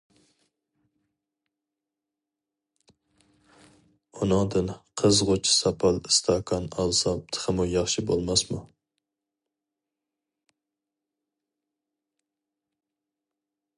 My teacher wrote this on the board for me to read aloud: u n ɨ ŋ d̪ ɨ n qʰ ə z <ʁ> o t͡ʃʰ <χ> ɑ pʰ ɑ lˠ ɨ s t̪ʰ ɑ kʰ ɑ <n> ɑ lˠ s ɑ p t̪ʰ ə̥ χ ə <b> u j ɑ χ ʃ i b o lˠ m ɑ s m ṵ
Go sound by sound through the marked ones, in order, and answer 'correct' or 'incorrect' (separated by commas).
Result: correct, incorrect, correct, incorrect